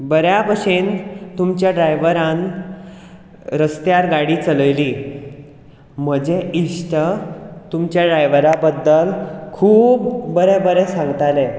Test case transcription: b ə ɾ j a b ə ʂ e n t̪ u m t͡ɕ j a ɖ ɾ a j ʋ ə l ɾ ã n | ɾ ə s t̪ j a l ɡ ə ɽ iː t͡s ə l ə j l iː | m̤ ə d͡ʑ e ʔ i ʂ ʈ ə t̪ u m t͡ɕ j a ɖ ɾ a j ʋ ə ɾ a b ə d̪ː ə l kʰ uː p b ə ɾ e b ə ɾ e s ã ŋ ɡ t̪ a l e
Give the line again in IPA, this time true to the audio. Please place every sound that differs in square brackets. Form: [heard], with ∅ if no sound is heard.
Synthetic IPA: b ə ɾ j a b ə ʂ e n t̪ u m t͡ɕ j a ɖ ɾ a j ʋ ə [∅] ɾ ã n | ɾ ə s t̪ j a [ɾ] ɡ [a] ɽ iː t͡s ə l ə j l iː | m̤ ə d͡ʑ e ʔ i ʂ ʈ ə t̪ u m t͡ɕ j a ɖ ɾ a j ʋ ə ɾ a b ə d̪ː ə l kʰ uː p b ə ɾ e b ə ɾ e s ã ŋ ɡ t̪ a l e